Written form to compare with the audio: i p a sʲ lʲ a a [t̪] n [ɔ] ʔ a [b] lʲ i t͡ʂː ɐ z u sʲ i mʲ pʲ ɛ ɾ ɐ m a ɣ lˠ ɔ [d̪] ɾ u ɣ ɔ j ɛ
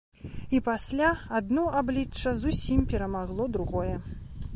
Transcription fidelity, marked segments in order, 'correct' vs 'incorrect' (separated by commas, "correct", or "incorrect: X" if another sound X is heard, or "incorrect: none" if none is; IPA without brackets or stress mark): incorrect: d̪, correct, correct, correct